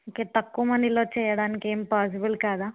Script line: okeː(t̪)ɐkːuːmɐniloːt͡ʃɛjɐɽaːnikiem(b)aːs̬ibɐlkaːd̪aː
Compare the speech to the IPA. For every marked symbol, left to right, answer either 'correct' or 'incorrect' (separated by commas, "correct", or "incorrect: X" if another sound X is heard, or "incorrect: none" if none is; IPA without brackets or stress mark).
correct, incorrect: p